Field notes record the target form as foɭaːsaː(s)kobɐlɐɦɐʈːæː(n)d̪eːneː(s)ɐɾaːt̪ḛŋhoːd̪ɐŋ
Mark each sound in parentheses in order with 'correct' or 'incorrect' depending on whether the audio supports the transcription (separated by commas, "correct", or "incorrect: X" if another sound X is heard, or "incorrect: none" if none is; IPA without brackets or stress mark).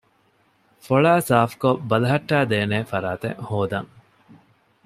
incorrect: f, incorrect: none, incorrect: f